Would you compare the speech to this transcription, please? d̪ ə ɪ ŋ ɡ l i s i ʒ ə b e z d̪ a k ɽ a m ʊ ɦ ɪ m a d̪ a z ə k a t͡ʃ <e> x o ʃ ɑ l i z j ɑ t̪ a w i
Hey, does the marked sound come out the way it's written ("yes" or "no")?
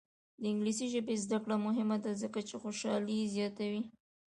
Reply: yes